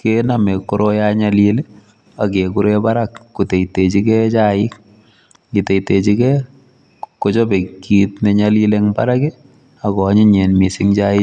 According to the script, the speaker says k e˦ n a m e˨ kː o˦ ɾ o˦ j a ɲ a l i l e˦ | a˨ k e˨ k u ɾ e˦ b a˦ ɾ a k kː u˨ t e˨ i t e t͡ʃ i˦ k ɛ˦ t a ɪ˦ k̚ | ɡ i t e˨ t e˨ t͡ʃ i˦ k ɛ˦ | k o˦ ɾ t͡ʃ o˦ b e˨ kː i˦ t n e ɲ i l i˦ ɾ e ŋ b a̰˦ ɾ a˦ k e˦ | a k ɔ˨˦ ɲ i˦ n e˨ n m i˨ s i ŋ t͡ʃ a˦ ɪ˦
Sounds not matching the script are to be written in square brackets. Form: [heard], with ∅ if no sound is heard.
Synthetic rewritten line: k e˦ n a m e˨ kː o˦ ɾ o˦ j a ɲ a l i l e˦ | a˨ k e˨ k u ɾ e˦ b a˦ ɾ a k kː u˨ t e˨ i t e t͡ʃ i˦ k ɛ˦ [t͡ʃ] a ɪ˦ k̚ | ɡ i t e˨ t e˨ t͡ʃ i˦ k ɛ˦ | k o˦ [∅] t͡ʃ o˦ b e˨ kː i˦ t n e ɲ [a] l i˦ [l] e ŋ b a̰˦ ɾ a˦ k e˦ | a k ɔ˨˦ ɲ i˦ [ɲ] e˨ n m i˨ s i ŋ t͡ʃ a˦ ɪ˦